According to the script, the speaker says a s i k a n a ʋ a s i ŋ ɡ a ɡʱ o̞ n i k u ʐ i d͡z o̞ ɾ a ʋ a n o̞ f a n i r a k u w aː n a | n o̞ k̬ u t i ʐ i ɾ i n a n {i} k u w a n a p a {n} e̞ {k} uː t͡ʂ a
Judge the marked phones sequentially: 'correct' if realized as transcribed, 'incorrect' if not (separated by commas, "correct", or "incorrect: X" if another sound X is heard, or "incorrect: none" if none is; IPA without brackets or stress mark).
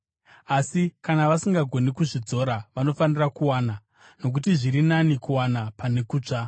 correct, correct, correct